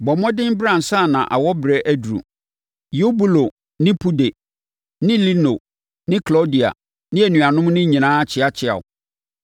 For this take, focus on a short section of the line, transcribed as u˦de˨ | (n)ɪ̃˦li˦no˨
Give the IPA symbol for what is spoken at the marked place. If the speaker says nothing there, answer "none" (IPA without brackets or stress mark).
n